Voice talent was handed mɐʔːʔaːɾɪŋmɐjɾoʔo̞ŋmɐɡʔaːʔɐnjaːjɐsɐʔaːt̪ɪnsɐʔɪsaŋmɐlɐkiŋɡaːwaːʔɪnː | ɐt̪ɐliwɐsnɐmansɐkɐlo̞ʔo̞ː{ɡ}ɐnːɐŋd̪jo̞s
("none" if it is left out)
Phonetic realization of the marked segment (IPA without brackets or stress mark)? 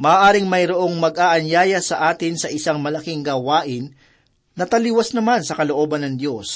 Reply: b